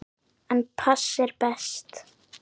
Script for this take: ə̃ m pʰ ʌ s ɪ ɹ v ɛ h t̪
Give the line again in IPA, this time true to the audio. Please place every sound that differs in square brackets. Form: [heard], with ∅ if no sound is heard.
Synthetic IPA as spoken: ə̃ [n] pʰ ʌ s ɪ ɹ [b] ɛ [s] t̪